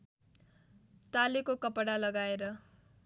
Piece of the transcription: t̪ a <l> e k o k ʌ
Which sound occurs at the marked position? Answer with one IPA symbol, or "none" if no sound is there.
l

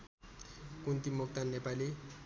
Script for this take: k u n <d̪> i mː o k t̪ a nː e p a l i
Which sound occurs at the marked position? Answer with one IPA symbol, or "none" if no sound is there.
t̪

